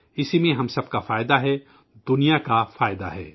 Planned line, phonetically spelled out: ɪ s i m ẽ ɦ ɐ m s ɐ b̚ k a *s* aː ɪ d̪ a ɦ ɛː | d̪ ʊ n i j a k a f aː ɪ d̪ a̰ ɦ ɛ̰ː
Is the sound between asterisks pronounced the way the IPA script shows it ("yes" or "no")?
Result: no